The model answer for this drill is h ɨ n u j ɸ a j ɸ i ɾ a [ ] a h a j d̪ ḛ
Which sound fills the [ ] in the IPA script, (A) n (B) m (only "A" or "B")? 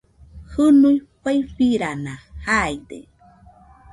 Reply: A